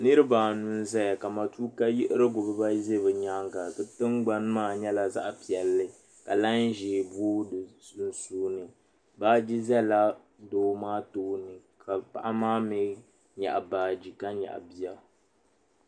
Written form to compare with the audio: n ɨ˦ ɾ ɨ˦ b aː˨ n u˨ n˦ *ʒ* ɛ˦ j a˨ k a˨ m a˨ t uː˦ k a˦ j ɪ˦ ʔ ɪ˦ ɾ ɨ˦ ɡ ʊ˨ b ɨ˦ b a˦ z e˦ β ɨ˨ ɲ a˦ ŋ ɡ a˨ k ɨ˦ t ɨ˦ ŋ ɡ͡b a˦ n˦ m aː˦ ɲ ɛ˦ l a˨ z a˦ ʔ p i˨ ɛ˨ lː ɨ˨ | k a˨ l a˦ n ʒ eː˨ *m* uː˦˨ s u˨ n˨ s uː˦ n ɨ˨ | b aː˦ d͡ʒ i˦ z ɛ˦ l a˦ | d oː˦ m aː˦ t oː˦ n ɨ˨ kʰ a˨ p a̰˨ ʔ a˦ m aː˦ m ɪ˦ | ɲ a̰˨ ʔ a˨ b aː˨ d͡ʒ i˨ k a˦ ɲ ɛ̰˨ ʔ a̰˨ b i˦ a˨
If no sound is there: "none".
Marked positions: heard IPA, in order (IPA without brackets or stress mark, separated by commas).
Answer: z, b